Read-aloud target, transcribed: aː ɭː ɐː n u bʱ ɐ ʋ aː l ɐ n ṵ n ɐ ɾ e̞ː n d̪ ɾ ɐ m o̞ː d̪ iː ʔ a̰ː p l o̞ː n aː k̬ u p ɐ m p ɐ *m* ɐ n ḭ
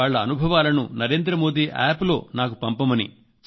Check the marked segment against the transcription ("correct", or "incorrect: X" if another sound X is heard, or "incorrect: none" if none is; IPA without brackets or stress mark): correct